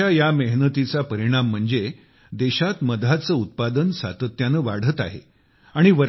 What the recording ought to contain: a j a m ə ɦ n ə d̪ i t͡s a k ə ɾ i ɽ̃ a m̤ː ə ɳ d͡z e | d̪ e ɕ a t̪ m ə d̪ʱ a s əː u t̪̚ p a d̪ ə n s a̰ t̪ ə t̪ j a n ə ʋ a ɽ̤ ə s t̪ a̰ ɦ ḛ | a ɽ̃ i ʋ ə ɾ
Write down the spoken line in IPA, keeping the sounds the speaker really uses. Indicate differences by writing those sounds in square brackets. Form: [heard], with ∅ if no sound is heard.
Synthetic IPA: a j a m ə ɦ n ə [t̪] i t͡s a [p] ə ɾ i ɽ̃ a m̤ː ə ɳ d͡z e | d̪ e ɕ a t̪ m ə d̪ʱ a [t͡s] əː u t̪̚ p a d̪ ə n s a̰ t̪ ə t̪ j a n ə ʋ a ɽ̤ ə [∅] t̪ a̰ ɦ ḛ | a ɽ̃ i ʋ ə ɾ